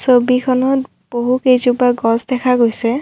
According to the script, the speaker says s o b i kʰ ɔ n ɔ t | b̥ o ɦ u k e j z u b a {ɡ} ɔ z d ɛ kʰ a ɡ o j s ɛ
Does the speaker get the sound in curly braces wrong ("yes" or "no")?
no